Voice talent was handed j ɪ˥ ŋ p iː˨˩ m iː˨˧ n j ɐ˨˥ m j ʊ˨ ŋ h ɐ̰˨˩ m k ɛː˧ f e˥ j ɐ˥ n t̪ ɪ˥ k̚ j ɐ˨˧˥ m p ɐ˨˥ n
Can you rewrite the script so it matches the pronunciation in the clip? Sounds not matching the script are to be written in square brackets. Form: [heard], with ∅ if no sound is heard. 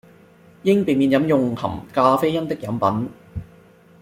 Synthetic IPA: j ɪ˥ ŋ p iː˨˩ m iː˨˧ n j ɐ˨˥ m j ʊ˨ ŋ h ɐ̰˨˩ m k [aː˧] f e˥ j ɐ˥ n t̪ ɪ˥ k̚ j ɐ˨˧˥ m p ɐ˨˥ n